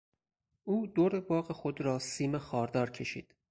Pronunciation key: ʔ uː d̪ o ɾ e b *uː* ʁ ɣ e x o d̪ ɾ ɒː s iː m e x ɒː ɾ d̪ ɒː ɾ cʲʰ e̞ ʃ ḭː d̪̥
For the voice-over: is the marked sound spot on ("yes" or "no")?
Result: no